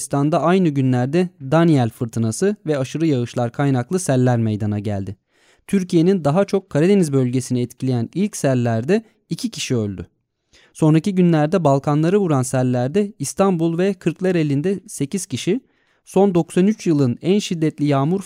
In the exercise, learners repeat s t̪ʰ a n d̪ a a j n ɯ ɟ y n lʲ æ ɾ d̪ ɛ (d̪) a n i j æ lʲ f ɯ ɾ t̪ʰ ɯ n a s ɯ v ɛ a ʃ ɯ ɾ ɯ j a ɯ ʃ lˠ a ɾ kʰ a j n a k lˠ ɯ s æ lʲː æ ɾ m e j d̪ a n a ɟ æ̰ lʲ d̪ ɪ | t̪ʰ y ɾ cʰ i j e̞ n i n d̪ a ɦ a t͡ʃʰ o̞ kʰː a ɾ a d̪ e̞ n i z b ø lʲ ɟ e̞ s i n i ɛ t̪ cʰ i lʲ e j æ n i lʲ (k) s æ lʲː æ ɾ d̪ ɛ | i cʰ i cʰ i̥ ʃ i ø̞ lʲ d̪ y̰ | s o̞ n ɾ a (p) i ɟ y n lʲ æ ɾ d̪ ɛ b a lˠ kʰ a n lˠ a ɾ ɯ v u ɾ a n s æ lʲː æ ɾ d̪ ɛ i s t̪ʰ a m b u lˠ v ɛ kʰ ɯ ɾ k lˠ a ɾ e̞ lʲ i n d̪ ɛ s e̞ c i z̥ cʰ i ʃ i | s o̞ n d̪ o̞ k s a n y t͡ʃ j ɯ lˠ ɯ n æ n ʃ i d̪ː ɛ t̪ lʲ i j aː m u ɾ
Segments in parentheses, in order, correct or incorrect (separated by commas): correct, incorrect, incorrect